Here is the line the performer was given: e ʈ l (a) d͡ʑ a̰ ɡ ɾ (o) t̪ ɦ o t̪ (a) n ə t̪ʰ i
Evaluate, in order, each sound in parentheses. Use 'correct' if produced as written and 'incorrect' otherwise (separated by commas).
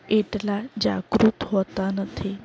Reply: correct, incorrect, correct